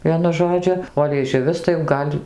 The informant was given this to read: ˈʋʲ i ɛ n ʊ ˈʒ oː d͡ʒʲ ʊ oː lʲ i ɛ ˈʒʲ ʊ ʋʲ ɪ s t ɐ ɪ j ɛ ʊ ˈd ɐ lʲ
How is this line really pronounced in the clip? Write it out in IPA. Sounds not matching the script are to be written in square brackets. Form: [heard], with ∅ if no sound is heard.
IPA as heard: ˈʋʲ i ɛ n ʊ ˈʒ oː d͡ʒʲ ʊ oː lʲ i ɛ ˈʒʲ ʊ ʋʲ ɪ s t ɐ ɪ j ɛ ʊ [ˈɡ] ɐ lʲ